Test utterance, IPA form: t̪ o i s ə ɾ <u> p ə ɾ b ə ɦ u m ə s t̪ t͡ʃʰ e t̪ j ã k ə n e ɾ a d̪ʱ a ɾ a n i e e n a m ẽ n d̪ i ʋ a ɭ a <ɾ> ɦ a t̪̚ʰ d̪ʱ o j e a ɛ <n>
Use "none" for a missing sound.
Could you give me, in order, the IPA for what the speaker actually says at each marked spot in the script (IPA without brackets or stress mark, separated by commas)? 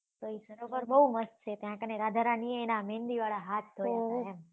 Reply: o, none, m